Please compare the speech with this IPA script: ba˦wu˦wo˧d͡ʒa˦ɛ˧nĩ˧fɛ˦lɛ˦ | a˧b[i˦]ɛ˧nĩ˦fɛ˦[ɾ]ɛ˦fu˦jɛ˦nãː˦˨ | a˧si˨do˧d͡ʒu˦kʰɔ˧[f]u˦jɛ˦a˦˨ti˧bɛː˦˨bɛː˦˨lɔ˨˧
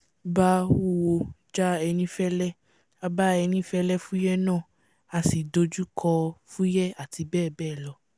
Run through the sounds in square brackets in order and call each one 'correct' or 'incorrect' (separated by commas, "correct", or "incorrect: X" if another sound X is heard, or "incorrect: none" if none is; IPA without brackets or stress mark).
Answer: incorrect: a˦, incorrect: l, correct